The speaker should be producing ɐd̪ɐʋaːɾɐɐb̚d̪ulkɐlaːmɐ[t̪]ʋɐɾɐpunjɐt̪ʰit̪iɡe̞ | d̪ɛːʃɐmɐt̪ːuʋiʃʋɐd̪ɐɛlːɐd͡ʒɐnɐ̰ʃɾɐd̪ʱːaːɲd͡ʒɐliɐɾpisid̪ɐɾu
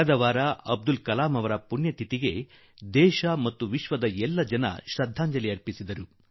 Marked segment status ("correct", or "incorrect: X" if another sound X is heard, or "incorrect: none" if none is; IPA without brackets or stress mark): incorrect: none